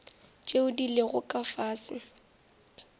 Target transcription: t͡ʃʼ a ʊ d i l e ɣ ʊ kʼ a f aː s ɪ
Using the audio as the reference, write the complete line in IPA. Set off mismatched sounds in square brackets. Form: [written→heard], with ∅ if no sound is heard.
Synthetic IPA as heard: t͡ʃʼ [a→e] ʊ d i l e ɣ ʊ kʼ a f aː s ɪ